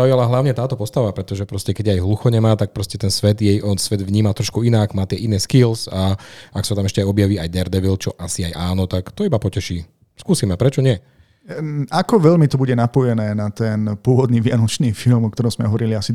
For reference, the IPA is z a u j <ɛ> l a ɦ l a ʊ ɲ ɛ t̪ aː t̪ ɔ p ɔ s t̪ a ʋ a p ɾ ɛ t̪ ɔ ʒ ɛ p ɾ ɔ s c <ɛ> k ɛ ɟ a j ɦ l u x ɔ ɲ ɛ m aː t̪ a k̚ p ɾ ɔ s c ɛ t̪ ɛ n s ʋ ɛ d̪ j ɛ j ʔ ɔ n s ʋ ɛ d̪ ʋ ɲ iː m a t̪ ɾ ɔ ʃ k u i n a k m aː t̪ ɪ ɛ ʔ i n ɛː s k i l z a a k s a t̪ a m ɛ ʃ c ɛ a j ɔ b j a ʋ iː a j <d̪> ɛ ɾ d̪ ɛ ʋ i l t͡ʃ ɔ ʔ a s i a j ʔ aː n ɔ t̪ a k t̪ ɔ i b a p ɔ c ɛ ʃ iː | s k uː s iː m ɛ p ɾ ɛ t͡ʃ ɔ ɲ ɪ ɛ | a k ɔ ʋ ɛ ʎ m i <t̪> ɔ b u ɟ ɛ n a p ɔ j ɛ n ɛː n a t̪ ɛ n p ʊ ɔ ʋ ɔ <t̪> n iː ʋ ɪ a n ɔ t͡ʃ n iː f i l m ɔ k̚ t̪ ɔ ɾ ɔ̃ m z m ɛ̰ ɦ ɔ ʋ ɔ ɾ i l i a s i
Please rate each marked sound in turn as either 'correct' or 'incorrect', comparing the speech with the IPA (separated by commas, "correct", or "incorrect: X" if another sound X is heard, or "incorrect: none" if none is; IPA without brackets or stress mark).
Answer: incorrect: a, correct, correct, correct, incorrect: d̪